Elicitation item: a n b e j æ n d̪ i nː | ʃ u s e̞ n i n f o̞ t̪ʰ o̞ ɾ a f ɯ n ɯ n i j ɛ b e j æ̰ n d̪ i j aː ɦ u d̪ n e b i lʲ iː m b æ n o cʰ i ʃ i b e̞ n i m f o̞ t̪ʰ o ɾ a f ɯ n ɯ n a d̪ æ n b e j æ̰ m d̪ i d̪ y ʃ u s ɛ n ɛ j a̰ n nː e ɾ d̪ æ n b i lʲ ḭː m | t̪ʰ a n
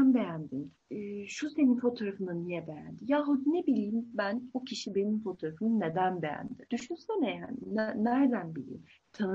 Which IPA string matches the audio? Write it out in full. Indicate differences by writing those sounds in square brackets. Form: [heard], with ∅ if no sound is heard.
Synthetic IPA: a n b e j æ n d̪ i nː | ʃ u s e̞ n i n f o̞ t̪ʰ o̞ ɾ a f ɯ n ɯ n i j ɛ b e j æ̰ n d̪ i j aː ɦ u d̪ n e b i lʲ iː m b æ n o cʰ i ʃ i b e̞ n i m f o̞ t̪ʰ o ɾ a f ɯ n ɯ n [e] d̪ æ n b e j æ̰ [n] d̪ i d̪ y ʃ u s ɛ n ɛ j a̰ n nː [æ] ɾ d̪ æ n b i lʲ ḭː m | t̪ʰ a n